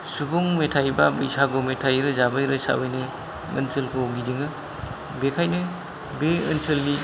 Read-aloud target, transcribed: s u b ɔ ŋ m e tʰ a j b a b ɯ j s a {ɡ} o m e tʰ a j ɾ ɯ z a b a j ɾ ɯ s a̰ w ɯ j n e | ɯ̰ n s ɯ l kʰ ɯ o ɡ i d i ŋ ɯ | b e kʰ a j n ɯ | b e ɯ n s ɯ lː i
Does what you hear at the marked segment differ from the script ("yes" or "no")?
no